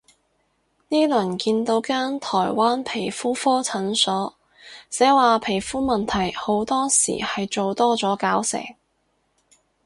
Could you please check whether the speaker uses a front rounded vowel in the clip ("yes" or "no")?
no